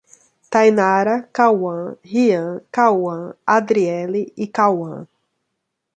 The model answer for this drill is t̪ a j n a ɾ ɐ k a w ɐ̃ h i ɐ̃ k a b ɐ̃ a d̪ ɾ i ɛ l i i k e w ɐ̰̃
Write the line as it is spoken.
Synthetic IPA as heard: t̪ a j n a ɾ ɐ k a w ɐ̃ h i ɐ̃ k a w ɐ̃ a d̪ ɾ i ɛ l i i k a w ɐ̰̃